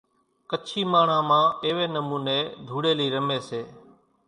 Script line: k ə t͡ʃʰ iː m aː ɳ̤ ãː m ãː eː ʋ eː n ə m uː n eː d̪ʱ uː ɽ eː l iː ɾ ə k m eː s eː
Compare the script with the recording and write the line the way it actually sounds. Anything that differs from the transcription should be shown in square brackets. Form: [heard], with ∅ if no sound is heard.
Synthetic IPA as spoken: k ə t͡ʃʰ iː m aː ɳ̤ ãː m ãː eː ʋ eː n ə m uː n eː d̪ʱ uː ɽ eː l iː ɾ ə [∅] m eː s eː